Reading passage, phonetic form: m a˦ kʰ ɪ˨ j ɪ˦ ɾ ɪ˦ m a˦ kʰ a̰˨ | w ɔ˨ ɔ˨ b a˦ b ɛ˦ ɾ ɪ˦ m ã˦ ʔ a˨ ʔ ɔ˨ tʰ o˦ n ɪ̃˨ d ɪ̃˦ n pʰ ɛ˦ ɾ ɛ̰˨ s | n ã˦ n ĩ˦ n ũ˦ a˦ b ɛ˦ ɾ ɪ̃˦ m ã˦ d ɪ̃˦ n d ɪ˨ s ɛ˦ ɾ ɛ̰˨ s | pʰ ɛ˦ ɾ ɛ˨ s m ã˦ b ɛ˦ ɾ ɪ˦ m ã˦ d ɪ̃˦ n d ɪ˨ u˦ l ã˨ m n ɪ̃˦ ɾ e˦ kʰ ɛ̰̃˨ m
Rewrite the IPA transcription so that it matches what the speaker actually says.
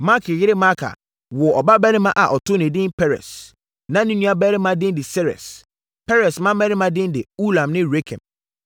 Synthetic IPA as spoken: m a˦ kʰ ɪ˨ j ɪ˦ ɾ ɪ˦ m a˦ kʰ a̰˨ | w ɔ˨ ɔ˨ b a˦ b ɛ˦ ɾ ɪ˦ m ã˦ ʔ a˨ ʔ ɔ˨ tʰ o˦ n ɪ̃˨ d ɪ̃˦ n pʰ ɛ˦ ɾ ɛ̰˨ s | n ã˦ n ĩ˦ n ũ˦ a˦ b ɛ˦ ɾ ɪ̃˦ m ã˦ d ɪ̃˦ n d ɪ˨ s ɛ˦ ɾ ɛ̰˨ s | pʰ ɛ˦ ɾ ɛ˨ s m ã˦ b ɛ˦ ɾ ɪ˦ m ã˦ d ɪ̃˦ n d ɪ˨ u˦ l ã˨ m n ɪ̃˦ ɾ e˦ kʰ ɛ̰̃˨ m